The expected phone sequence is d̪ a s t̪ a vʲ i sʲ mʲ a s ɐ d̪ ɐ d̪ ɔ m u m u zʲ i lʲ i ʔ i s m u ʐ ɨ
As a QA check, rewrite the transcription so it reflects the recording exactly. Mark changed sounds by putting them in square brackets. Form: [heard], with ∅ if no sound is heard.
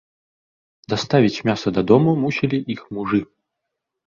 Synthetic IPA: d̪ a s t̪ a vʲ i [t͡sʲ] mʲ a s ɐ d̪ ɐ d̪ ɔ m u m u [sʲ] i lʲ i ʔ i [x] m u ʐ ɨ